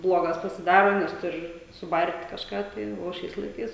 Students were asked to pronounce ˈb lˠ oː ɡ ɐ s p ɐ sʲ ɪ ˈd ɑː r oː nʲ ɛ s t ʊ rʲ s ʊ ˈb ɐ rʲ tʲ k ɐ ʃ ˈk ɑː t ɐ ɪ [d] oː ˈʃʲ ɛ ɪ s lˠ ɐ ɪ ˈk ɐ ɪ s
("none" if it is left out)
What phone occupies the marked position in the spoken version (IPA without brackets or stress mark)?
none